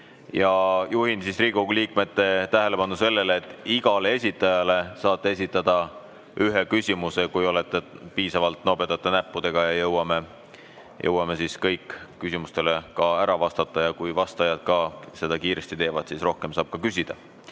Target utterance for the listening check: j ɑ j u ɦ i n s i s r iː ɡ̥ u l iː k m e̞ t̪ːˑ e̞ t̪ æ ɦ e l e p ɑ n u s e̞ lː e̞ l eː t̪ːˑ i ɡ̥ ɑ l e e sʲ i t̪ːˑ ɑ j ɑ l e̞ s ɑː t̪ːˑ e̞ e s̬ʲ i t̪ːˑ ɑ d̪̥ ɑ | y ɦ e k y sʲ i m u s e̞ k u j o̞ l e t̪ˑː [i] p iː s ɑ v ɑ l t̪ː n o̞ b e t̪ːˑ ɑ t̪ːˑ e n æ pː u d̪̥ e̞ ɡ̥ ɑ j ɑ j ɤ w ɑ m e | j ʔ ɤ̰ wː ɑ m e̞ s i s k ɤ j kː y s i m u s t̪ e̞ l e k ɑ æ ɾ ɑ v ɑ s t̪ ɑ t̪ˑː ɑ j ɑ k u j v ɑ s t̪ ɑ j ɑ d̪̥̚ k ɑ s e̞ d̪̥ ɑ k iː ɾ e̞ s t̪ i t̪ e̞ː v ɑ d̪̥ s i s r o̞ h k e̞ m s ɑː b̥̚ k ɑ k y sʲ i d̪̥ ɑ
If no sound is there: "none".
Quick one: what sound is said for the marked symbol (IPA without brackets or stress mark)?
e